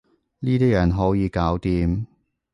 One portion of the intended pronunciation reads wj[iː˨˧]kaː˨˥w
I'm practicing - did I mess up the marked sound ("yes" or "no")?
no